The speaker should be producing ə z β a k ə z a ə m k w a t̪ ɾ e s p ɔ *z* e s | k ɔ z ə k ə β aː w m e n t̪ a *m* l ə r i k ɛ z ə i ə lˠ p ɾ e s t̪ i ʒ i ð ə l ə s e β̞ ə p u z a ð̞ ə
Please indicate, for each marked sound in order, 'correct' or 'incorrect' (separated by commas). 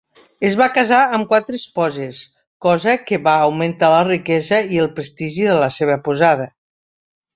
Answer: correct, incorrect